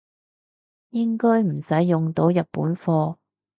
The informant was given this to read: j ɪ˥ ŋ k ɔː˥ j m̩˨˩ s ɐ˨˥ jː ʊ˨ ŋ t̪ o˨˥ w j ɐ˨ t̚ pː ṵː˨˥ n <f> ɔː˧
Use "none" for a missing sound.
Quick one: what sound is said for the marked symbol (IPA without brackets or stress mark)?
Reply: f